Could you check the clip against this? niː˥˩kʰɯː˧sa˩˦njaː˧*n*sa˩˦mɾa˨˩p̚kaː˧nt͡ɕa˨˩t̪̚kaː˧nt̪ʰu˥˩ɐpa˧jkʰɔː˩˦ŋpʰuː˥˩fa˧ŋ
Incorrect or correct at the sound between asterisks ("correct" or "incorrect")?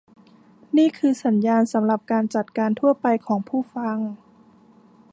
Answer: correct